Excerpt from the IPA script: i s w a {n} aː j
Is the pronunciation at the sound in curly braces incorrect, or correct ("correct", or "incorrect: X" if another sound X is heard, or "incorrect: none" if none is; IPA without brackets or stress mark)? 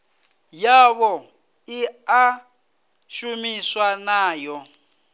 correct